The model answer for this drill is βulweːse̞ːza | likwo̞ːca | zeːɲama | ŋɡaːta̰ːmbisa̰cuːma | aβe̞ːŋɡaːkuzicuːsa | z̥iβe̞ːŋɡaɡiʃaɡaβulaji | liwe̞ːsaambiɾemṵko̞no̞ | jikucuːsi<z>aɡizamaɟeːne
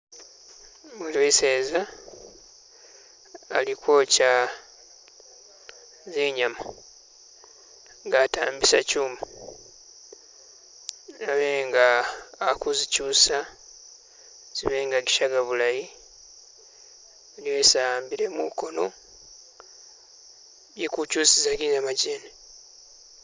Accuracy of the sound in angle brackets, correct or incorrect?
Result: correct